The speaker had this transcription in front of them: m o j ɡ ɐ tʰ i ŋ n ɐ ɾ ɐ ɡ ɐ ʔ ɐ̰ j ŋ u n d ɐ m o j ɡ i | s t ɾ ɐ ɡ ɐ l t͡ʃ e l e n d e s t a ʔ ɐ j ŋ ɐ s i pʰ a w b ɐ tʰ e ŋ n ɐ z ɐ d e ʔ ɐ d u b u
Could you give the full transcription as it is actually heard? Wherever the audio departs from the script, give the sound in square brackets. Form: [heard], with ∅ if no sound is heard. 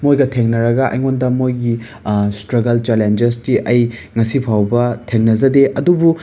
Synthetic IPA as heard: m o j ɡ ɐ tʰ [e] ŋ n ɐ ɾ ɐ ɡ ɐ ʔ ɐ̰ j ŋ [o] n d ɐ m o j ɡ i | s t ɾ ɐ ɡ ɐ l t͡ʃ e l e n [d͡ʒ] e s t [i] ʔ ɐ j ŋ ɐ s i pʰ a w b ɐ tʰ e ŋ n ɐ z ɐ d e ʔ ɐ d u b u